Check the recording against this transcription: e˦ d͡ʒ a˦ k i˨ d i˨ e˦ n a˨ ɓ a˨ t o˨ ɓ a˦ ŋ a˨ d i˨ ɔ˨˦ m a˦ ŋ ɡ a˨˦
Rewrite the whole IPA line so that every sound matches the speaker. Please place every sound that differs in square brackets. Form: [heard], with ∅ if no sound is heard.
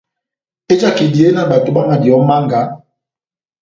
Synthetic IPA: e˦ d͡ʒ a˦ k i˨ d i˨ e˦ n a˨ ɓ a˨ t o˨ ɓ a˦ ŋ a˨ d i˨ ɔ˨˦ m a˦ ŋ ɡ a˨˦